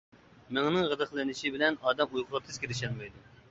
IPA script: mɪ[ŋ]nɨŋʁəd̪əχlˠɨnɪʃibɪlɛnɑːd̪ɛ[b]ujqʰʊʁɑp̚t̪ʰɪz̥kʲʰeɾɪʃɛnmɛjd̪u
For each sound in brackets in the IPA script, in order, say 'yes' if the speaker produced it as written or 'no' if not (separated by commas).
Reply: yes, no